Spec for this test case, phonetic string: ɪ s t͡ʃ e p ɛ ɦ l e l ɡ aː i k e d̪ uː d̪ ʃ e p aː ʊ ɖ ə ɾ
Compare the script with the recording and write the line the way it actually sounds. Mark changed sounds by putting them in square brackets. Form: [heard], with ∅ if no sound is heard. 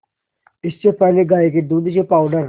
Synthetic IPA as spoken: ɪ s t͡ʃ e p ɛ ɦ l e [∅] ɡ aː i k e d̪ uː d̪ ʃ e p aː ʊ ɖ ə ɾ